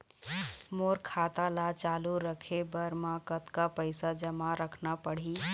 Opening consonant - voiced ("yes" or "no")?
yes